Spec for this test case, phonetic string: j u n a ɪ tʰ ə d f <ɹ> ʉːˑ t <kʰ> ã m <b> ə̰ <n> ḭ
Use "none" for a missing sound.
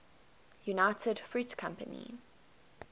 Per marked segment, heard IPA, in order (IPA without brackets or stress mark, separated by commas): ɹ, kʰ, p, n